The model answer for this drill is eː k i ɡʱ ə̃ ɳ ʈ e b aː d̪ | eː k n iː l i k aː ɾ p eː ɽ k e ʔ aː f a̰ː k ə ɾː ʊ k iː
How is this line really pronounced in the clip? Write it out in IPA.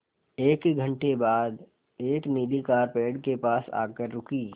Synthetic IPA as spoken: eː k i ɡʱ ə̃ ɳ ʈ e b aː d̪ | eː k n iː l i k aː ɾ p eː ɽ k e p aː s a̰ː k ə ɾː ʊ k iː